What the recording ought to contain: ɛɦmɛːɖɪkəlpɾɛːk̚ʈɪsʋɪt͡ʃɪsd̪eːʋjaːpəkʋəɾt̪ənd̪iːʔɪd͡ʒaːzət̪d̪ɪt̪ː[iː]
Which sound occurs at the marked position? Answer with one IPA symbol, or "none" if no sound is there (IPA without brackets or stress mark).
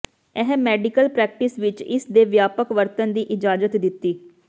iː